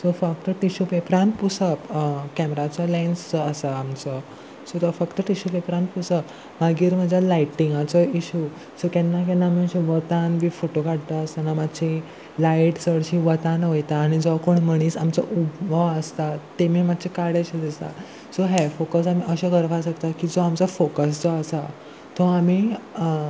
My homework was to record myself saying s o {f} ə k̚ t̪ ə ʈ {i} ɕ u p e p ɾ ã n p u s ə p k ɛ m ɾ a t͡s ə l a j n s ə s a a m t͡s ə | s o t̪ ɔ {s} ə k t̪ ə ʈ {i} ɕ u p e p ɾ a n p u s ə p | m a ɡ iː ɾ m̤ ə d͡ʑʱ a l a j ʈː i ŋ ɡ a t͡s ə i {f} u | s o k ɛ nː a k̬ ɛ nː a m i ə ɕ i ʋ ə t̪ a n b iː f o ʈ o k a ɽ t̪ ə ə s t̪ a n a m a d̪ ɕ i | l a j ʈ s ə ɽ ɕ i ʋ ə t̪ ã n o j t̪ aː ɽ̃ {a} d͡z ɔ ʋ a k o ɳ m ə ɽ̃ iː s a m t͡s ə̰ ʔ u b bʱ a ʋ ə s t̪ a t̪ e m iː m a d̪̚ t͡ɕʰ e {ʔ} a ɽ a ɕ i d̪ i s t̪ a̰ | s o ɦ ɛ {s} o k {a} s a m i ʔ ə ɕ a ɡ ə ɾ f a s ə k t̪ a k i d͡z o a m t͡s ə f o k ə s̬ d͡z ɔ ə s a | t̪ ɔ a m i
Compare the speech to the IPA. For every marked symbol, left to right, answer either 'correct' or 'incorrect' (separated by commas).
correct, correct, incorrect, correct, incorrect, incorrect, incorrect, incorrect, incorrect